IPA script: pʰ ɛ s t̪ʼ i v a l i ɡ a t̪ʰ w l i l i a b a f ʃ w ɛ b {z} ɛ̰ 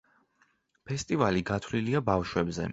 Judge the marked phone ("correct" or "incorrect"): correct